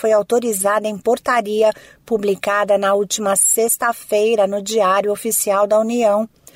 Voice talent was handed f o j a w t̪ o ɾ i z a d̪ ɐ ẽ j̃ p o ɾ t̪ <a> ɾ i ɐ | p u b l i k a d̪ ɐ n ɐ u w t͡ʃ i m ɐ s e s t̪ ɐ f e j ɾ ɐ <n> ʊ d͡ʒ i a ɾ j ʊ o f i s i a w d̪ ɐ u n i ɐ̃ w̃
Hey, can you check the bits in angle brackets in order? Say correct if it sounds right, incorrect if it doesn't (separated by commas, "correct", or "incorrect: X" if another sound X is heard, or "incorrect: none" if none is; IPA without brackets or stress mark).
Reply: correct, correct